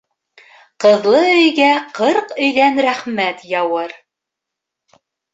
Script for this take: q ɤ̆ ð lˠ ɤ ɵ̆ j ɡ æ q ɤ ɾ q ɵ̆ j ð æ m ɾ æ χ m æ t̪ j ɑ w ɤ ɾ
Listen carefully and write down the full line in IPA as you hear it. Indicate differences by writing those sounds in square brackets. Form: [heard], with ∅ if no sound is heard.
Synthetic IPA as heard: q ɤ̆ ð lˠ ɤ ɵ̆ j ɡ æ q ɤ ɾ q ɵ̆ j ð æ [n] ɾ æ χ m æ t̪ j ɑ w ɤ ɾ